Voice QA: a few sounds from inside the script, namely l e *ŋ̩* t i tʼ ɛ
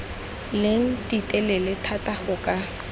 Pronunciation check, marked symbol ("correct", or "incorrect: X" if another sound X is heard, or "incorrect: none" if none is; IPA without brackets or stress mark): correct